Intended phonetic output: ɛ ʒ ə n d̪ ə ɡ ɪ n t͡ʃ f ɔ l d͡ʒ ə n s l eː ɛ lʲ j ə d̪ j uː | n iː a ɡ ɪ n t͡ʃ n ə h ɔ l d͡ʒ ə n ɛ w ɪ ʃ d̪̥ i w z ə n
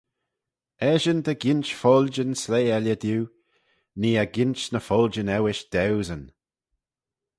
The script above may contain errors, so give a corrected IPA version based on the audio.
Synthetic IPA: ɛ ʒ ə n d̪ ə ɡ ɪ n t͡ʃ f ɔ l d͡ʒ ə n s l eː ɛ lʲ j ə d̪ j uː | n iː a ɡ ɪ n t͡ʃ n ə f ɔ l d͡ʒ ə n ɛ w ɪ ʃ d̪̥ ɛ w z ə n